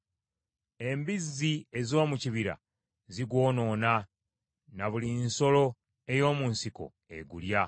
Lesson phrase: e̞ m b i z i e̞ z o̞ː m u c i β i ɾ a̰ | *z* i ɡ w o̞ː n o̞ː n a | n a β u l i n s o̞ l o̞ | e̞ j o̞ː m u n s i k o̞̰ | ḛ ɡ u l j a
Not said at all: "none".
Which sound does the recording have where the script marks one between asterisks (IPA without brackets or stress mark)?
z